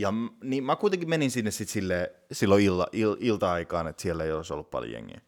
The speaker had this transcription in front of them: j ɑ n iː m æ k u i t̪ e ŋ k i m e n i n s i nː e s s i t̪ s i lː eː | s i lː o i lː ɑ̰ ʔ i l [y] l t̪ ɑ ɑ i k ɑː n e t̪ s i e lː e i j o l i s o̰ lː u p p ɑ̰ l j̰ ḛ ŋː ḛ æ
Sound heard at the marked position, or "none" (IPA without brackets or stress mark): i